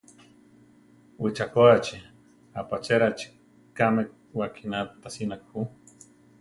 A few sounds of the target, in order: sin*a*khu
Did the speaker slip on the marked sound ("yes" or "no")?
no